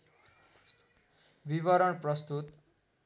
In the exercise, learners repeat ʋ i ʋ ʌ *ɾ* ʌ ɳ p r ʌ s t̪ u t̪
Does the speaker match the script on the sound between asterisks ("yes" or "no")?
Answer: yes